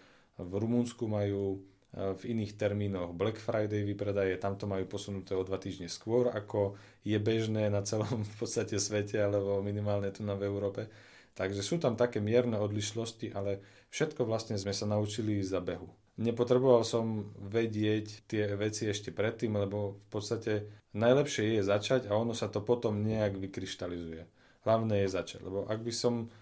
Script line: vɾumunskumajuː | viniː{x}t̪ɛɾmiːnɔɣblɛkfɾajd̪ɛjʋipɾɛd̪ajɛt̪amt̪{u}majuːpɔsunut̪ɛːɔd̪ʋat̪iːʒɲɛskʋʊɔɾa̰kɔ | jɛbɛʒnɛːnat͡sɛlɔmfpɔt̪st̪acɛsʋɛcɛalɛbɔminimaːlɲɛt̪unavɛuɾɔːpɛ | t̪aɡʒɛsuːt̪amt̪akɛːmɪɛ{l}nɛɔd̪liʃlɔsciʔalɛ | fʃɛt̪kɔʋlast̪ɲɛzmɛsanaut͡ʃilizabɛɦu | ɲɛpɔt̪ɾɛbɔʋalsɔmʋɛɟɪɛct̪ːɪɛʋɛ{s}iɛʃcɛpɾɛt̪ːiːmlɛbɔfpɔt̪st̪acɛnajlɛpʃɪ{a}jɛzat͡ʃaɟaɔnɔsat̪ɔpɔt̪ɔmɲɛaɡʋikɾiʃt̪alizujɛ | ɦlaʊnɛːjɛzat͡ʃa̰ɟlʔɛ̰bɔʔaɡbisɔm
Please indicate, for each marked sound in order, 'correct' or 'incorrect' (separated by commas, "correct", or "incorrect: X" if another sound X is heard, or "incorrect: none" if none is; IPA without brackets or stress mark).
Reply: correct, incorrect: ɔ, incorrect: ɾ, incorrect: t͡s, incorrect: ɛ